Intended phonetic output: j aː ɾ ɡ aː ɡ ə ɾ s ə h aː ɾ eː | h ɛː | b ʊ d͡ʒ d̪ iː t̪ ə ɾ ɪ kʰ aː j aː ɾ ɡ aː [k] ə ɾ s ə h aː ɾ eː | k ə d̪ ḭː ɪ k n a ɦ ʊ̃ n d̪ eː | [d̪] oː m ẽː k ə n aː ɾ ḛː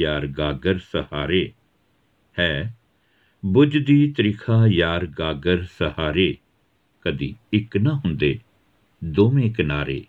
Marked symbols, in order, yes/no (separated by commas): no, yes